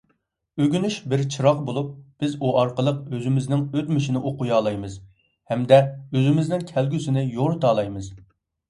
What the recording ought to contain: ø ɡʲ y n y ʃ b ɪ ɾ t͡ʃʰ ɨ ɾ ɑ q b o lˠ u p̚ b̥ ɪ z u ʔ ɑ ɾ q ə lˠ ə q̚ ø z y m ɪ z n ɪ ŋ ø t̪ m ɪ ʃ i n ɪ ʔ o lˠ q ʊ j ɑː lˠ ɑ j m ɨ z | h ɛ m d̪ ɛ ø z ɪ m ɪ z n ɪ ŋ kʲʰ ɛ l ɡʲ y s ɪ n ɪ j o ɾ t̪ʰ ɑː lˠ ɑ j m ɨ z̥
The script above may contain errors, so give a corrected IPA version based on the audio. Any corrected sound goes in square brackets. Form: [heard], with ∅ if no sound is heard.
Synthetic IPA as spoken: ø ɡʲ y n y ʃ b ɪ ɾ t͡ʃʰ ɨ ɾ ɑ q b o lˠ u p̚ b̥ ɪ z u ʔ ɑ ɾ q ə lˠ ə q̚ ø z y m ɪ z n ɪ ŋ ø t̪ m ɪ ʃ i n ɪ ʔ o [∅] q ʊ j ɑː lˠ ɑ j m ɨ z | h ɛ m d̪ ɛ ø z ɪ m ɪ z n ɪ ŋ kʲʰ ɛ l ɡʲ y s ɪ n ɪ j o ɾ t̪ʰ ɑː lˠ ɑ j m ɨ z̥